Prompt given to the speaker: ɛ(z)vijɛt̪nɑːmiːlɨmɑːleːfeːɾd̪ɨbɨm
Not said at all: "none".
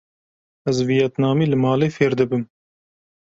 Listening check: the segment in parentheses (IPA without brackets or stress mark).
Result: z